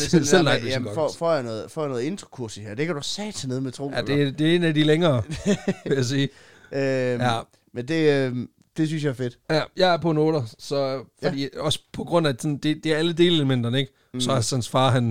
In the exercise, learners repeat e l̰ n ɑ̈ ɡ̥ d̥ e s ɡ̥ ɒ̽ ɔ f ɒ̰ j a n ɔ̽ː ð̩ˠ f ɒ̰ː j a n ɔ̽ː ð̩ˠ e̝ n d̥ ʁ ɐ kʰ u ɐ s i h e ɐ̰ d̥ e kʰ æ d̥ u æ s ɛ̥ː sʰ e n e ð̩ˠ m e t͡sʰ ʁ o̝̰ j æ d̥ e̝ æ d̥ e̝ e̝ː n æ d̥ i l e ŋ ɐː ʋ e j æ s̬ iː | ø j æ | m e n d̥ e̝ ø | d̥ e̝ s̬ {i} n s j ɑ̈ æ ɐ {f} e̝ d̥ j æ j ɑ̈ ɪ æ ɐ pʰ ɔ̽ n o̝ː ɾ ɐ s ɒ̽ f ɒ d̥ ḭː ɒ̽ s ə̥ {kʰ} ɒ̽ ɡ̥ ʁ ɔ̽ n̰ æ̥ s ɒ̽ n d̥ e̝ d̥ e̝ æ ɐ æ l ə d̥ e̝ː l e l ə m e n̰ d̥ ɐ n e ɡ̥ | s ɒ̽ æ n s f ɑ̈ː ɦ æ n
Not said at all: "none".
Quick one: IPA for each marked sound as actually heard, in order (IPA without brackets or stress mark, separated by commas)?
y, f, pʰ